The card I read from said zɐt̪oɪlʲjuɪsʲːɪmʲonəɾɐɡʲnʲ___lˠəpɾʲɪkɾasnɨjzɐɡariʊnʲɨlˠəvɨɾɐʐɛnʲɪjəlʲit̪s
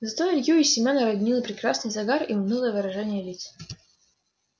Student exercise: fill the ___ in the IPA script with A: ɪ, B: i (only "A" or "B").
B